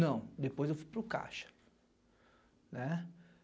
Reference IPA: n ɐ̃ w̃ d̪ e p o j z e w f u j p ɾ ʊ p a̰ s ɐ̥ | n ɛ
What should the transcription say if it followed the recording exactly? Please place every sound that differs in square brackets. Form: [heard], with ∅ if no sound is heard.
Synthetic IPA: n ɐ̃ w̃ d̪ e p o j z e w f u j p ɾ ʊ [k] a̰ [ʃ] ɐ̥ | n ɛ